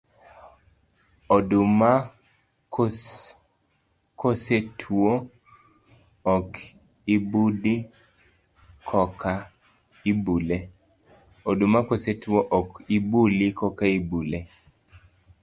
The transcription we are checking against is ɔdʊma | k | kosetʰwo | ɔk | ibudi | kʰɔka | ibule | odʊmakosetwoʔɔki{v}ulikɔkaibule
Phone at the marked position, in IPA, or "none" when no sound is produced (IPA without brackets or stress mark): b